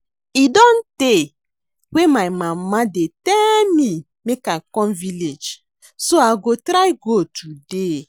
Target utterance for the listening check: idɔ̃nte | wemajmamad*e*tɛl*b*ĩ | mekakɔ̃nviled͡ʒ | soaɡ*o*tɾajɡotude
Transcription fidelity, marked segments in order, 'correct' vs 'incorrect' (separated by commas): correct, incorrect, correct